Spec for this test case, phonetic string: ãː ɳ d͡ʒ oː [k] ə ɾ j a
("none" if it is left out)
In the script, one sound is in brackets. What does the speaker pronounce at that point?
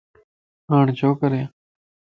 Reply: k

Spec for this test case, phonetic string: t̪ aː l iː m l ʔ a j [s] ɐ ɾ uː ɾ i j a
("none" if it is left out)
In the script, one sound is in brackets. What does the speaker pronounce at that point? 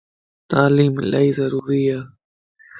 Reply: z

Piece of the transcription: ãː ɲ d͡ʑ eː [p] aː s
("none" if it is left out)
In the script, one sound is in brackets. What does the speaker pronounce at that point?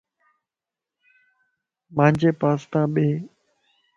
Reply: p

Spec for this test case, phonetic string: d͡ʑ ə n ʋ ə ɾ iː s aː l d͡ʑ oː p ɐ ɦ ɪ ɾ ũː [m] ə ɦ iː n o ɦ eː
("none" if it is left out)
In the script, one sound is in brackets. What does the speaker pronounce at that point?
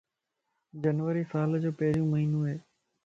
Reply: m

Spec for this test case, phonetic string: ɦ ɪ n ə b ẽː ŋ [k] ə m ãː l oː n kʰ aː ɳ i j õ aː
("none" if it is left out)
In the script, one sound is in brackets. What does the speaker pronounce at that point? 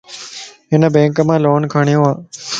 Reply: k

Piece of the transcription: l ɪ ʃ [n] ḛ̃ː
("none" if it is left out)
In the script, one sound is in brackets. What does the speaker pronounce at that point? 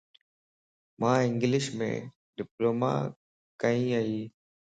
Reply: m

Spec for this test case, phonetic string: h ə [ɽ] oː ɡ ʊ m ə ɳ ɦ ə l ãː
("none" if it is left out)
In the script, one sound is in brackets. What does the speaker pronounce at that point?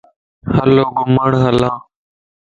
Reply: l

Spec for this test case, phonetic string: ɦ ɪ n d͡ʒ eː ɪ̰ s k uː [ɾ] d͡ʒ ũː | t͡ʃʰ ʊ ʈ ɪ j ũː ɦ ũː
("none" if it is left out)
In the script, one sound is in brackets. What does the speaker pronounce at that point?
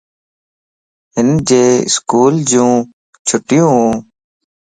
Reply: l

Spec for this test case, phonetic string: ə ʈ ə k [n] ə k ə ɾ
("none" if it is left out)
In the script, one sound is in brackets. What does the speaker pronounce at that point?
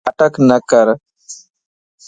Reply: n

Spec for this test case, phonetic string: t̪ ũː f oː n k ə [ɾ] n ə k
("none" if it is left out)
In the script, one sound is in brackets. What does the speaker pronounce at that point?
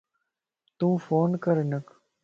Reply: ɾ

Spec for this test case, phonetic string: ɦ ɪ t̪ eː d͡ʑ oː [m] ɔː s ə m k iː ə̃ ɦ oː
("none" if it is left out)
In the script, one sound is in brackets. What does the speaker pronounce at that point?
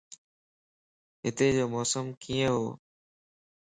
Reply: m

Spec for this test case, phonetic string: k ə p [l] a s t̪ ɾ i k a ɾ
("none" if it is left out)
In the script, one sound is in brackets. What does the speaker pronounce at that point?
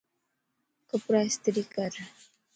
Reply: ɾ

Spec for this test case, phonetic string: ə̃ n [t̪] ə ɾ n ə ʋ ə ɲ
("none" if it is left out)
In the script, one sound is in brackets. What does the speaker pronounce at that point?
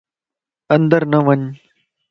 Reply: d̪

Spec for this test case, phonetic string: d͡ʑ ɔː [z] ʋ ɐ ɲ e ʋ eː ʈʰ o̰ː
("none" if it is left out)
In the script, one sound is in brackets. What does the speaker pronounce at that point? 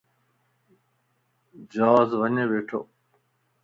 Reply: z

